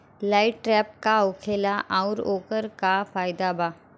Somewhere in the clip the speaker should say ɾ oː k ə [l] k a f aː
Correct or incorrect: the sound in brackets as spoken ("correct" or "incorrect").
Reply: incorrect